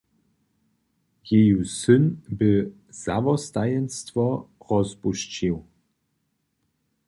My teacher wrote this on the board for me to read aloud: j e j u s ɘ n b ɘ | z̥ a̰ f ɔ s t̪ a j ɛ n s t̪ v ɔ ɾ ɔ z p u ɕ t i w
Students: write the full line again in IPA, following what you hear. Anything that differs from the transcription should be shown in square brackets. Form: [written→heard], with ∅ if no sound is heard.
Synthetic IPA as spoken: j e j u s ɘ n b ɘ | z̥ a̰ [f→v] ɔ s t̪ a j ɛ n s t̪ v ɔ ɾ ɔ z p u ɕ [t→t͡ɕ] i w